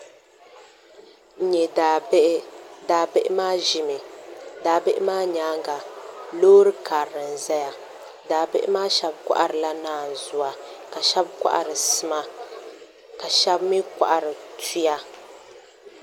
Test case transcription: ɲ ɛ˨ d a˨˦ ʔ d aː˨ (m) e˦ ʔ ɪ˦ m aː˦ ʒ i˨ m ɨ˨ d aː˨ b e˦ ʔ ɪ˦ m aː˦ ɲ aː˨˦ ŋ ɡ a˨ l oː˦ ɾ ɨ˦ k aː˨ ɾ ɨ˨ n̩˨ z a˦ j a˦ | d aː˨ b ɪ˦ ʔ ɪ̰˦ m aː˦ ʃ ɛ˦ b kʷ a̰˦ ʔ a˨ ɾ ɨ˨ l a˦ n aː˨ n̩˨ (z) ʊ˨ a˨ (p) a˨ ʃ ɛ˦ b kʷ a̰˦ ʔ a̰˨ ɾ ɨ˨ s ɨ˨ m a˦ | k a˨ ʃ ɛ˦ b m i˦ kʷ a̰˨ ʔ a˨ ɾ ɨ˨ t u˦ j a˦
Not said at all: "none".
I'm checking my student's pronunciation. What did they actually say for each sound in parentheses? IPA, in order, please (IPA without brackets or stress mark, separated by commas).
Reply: b, z, k